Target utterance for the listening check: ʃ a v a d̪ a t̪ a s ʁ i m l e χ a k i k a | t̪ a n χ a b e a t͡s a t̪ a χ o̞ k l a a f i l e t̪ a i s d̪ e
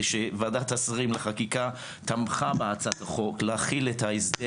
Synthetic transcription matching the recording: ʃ e v a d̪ a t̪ a s ʁ i m l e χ a k i k a | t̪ a m χ a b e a t͡s a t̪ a χ o̞ k l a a χ i l e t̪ a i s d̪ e